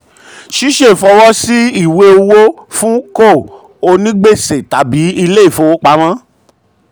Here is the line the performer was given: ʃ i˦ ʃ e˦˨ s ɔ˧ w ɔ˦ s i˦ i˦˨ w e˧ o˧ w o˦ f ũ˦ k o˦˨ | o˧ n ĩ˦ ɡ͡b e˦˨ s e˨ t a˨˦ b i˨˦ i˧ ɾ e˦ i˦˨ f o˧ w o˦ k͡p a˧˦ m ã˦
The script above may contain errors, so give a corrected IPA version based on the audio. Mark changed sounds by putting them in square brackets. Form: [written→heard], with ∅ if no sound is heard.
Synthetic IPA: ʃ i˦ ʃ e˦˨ [s→f] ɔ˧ w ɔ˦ s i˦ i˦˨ w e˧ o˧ w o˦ f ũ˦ k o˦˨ | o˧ n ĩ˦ ɡ͡b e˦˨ s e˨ t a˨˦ b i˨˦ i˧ [ɾ→l] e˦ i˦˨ f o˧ w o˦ k͡p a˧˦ m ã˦

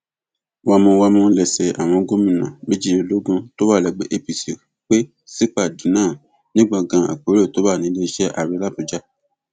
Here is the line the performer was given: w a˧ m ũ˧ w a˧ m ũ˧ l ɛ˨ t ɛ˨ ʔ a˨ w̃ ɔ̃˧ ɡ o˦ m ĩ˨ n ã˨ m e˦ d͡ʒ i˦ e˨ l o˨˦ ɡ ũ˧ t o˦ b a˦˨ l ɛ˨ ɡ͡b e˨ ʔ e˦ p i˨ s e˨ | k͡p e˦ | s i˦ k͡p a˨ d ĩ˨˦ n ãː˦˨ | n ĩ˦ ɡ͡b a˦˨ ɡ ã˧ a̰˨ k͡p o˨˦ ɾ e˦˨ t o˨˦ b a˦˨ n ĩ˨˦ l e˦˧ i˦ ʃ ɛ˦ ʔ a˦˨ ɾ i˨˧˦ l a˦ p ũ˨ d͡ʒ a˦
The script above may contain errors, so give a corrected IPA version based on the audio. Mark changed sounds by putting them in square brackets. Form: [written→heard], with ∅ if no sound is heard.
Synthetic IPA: w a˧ m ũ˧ w a˧ m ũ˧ l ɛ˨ [t→s] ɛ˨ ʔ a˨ w̃ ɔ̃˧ ɡ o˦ m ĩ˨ n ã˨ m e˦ d͡ʒ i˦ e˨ l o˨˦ ɡ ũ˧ t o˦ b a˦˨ l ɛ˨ ɡ͡b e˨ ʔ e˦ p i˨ s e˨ | k͡p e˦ | s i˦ k͡p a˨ d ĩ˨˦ n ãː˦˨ | n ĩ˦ ɡ͡b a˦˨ ɡ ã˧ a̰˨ k͡p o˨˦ ɾ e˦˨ t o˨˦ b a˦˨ n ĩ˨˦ l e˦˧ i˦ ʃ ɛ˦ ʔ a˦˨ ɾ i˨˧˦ l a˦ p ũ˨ d͡ʒ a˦

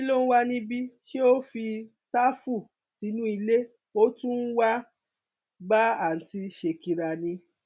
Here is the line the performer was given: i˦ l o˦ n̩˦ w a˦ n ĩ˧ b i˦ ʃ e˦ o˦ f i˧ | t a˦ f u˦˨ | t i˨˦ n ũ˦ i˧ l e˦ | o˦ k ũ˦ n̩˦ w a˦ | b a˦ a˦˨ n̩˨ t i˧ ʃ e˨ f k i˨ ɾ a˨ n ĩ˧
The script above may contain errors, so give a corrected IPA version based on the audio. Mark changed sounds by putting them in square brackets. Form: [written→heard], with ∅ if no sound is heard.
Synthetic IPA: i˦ l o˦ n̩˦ w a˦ n ĩ˧ b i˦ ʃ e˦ o˦ f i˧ | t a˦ f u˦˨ | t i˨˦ n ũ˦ i˧ l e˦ | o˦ [k→t] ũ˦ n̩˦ w a˦ | b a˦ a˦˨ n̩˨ t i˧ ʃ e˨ [f→∅] k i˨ ɾ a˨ n ĩ˧

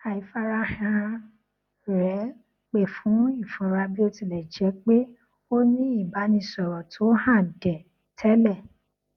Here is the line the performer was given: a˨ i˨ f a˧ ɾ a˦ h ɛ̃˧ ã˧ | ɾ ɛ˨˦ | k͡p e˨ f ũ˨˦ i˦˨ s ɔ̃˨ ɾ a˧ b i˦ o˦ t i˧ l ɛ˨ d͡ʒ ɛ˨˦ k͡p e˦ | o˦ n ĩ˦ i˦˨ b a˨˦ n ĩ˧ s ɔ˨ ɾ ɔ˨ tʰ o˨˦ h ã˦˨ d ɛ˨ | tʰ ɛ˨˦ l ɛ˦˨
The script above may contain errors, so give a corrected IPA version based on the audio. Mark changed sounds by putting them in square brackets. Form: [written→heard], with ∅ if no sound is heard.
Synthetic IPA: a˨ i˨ f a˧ ɾ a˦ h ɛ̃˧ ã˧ | ɾ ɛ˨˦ | k͡p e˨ f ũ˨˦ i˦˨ [s→f] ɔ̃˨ ɾ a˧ b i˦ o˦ t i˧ l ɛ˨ d͡ʒ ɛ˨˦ k͡p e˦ | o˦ n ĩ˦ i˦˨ b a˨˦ n ĩ˧ s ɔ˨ ɾ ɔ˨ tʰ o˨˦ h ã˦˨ d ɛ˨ | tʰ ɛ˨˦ l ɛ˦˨

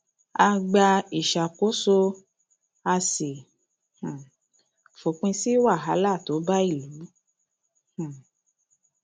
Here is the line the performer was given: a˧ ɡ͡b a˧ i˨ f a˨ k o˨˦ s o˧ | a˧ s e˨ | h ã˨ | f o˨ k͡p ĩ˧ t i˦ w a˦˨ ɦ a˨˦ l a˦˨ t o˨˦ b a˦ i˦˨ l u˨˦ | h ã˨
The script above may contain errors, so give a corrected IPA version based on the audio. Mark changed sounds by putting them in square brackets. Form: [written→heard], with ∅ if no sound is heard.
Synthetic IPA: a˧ ɡ͡b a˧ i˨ [f→ʃ] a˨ k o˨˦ s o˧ | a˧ s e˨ | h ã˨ | f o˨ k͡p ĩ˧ [t→s] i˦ w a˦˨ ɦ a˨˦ l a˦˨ t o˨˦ b a˦ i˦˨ l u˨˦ | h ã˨

